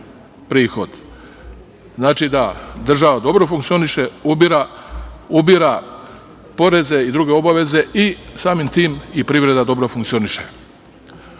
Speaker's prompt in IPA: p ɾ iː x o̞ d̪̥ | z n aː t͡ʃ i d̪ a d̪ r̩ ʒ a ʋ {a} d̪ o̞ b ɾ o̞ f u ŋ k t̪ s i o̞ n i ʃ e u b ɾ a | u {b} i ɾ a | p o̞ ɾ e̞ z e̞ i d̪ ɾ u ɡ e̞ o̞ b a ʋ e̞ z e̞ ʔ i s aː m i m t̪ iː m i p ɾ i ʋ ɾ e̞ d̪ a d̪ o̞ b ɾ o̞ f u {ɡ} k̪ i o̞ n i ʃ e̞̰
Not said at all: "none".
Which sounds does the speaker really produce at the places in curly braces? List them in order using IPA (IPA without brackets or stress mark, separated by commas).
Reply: a, b, ŋ